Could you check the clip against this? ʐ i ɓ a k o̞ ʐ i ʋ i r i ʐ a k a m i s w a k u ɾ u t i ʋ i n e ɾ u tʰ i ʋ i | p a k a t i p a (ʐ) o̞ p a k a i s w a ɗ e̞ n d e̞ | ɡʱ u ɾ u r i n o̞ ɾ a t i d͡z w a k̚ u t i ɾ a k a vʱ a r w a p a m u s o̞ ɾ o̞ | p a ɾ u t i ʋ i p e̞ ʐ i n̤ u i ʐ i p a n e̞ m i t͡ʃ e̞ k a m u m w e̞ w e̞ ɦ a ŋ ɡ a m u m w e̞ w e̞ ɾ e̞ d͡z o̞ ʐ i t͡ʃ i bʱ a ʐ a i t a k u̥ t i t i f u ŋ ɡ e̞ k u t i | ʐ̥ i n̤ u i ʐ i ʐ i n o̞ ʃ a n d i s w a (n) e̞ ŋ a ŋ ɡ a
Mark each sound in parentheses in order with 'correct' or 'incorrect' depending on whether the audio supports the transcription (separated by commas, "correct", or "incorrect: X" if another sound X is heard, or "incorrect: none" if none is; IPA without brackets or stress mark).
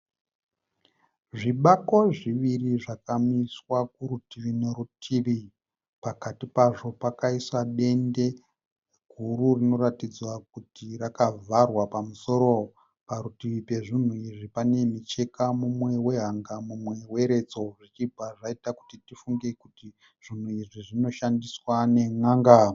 correct, correct